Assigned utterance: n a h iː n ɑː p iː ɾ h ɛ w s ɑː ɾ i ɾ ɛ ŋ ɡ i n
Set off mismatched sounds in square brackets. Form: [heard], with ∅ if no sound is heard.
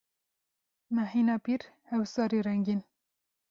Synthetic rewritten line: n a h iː n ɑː p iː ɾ h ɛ w s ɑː ɾ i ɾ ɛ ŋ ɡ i n